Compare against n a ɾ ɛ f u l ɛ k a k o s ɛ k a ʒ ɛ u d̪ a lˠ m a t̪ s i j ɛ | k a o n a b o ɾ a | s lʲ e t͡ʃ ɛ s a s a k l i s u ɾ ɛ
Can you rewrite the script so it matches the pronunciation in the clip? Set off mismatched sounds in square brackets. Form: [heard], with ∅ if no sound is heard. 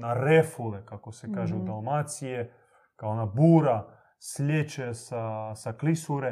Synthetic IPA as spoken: n a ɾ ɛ f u l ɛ k a k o s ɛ k a ʒ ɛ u d̪ a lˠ m a t̪ s i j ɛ | k a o n a b [u] ɾ a | s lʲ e t͡ʃ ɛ s a s a k l i s u ɾ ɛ